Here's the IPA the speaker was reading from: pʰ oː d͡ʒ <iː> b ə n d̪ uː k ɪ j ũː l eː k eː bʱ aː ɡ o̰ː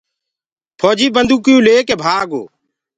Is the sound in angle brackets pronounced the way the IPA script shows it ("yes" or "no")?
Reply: yes